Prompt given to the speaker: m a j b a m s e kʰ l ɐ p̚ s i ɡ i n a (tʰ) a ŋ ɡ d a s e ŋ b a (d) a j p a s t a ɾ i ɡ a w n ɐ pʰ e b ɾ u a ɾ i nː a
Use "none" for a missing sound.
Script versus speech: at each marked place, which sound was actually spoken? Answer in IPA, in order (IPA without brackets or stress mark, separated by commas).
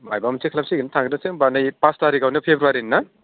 tʰ, n